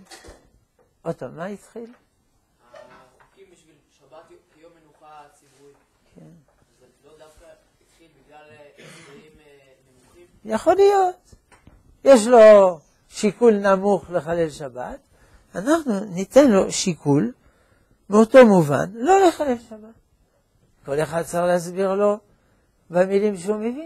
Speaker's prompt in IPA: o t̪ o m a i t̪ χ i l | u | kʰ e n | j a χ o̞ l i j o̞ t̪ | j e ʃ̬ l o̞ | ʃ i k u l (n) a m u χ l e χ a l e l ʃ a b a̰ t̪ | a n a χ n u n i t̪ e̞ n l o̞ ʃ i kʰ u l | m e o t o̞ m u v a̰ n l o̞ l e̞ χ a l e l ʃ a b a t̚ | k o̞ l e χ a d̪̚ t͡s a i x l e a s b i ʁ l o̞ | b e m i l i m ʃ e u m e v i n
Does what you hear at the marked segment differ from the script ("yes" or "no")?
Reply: no